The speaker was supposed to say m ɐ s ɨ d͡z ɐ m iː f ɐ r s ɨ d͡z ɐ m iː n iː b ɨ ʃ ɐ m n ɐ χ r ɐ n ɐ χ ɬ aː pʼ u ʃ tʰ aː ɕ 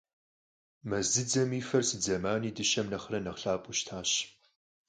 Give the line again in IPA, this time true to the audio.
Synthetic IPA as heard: m ɐ z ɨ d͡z ɐ m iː f ɐ r s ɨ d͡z ɐ m aː n iː d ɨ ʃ ɐ m n ɐ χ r ɐ n ɐ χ ɬ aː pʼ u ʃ tʰ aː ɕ